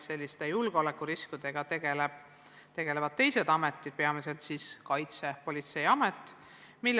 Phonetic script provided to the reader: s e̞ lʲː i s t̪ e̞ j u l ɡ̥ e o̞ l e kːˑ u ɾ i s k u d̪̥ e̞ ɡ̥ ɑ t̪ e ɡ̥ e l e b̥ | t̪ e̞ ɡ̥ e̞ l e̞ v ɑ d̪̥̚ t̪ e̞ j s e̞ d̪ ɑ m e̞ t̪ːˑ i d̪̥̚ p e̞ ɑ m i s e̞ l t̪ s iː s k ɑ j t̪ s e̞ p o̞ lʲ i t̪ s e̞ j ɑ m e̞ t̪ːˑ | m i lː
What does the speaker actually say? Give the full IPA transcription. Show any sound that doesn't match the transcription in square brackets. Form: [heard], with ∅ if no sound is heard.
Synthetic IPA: s e̞ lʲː i s t̪ e̞ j u l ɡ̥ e o̞ l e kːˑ u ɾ i s k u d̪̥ e̞ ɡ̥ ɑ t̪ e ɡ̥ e l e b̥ | t̪ e̞ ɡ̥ e̞ l e̞ v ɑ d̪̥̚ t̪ e̞ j s e̞ d̪ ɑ m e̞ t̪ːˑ i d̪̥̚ p e̞ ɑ m i s e̞ l t̪ s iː s k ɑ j t̪ s e̞ p o̞ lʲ i t̪ s e̞ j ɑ m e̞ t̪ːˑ | m i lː